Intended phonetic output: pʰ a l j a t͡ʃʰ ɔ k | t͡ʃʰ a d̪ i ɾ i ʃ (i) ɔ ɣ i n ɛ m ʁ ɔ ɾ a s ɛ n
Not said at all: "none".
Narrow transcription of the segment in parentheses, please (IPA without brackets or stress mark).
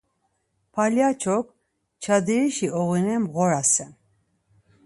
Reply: i